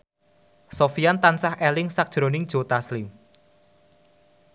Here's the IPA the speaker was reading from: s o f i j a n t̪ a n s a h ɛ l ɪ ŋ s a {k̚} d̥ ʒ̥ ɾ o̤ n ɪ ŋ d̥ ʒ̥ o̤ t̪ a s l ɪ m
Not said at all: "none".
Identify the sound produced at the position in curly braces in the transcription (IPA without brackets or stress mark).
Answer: k̚